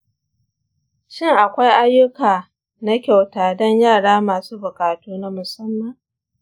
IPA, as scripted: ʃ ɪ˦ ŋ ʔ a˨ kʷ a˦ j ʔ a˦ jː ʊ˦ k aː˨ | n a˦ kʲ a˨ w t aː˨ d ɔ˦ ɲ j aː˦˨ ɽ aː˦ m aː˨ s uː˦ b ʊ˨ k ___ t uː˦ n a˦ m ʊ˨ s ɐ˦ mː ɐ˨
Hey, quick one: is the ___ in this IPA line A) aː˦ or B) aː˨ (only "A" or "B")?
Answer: B